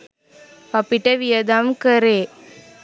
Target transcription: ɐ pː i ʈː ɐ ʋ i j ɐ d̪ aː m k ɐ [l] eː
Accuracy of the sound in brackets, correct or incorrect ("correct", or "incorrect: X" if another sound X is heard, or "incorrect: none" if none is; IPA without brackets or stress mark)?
incorrect: ɾ